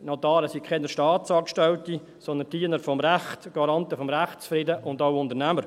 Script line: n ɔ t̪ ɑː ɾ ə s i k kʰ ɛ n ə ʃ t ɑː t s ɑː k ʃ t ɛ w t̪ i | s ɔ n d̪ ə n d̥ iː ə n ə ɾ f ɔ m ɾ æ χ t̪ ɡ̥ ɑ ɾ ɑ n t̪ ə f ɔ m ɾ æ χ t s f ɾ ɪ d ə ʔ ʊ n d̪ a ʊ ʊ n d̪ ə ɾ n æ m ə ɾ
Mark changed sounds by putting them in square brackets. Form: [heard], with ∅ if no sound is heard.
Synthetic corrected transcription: n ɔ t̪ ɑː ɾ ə s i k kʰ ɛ n ə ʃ t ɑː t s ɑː k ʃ t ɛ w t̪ i | s ɔ n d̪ ə n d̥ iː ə n ə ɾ f ɔ m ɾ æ χ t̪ ɡ̥ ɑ ɾ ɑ n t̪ ə f ɔ m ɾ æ χ t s f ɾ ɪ d ə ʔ ʊ n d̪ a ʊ ʊ n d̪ ə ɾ n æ m ə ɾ